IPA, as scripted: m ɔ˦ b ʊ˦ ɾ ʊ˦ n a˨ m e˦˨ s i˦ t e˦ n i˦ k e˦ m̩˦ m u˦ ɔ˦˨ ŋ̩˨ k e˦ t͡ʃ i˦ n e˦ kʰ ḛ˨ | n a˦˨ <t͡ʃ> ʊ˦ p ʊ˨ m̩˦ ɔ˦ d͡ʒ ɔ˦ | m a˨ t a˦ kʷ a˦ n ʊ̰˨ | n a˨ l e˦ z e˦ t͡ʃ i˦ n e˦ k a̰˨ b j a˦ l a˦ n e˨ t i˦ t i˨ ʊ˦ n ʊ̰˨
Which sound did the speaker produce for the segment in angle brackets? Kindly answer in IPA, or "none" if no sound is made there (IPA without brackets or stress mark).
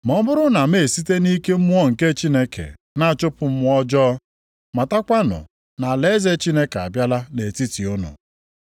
t͡ʃ